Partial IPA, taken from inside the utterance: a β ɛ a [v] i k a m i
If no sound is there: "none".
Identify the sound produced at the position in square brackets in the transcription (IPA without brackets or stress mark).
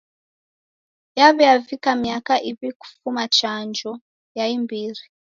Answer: v